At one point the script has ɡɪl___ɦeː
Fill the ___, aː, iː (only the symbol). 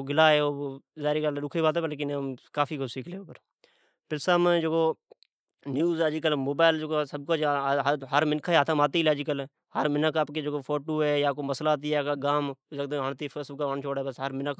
aː